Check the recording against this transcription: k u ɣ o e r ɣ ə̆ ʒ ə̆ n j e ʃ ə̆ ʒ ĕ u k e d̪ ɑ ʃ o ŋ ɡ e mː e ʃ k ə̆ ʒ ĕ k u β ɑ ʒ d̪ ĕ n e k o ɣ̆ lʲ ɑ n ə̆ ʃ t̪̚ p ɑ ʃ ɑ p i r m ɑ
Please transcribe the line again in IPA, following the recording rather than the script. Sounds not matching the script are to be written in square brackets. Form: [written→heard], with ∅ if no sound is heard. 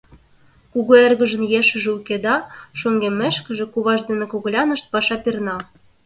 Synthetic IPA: k u ɣ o e r ɣ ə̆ ʒ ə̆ n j e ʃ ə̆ ʒ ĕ u k e d̪ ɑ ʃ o ŋ ɡ e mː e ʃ k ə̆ ʒ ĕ k u β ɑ ʒ d̪ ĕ n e k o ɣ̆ lʲ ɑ n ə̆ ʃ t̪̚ p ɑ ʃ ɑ p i r [m→n] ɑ